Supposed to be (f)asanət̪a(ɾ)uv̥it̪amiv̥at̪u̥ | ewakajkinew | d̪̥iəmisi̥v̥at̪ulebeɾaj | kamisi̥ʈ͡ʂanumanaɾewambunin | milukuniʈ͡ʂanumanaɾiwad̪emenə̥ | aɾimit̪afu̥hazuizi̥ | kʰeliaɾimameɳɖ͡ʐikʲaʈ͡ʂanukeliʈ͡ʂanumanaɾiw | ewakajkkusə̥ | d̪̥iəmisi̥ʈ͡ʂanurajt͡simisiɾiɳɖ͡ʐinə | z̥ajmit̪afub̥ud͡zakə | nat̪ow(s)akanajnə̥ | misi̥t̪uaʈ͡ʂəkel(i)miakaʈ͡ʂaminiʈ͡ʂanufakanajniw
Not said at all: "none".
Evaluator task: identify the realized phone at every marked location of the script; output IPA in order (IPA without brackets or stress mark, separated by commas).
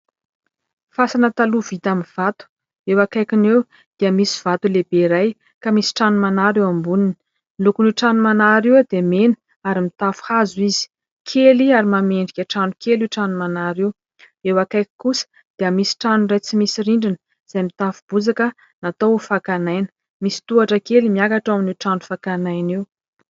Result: f, l, f, i